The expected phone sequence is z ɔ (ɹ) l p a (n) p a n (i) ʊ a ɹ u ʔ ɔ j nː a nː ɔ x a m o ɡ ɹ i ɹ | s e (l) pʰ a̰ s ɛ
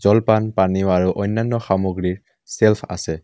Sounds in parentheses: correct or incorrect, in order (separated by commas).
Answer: incorrect, correct, correct, correct